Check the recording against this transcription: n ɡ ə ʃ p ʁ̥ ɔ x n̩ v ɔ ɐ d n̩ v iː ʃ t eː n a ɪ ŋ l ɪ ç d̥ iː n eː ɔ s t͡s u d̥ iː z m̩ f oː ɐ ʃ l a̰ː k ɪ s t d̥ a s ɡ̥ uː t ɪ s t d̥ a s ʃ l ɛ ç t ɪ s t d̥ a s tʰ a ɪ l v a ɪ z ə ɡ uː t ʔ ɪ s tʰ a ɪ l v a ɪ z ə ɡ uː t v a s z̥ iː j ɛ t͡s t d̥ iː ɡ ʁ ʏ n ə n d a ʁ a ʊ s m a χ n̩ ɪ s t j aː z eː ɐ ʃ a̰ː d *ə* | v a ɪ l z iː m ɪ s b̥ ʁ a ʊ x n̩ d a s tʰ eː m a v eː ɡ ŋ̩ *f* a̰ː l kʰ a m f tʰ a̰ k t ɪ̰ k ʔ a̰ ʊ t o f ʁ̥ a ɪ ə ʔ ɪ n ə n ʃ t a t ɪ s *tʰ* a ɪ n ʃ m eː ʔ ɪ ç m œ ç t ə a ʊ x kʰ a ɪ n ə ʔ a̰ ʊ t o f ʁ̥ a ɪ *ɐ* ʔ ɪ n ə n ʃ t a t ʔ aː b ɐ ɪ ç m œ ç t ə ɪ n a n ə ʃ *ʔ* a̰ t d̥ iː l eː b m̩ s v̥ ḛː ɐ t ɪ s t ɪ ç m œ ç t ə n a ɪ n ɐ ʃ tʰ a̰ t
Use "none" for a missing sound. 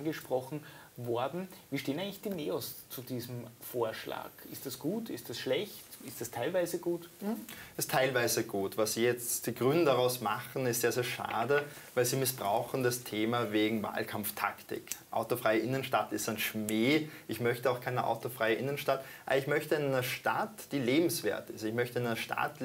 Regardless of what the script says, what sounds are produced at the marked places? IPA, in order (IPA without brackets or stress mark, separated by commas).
ə, v, t, ə, t